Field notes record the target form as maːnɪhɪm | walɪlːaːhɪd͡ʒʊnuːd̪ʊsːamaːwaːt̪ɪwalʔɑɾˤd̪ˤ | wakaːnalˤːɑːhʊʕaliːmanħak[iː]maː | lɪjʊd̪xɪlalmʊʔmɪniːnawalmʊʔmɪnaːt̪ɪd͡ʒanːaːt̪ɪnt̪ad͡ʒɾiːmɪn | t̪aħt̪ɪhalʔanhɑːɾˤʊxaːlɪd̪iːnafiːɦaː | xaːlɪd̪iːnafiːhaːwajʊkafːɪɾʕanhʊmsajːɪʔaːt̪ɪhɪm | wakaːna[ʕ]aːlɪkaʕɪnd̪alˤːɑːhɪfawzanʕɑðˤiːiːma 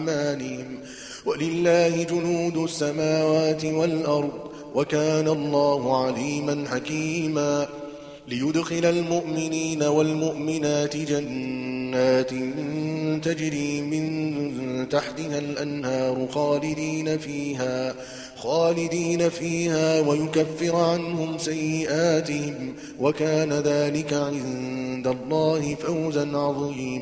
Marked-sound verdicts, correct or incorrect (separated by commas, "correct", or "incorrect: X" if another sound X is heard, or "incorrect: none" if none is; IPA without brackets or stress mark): correct, incorrect: ð